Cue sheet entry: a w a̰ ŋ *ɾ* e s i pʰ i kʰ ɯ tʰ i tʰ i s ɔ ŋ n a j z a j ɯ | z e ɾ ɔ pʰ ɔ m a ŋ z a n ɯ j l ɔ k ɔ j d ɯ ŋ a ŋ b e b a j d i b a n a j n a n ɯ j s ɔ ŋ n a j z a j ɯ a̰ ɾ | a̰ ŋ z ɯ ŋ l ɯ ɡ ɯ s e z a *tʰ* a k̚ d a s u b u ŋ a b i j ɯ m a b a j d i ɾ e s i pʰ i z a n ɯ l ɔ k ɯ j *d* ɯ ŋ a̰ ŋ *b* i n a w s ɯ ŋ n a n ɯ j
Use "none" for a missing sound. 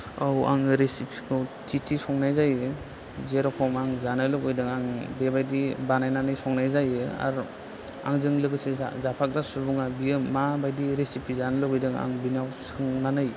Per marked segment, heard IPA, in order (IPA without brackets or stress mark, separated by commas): ɾ, pʰ, d, b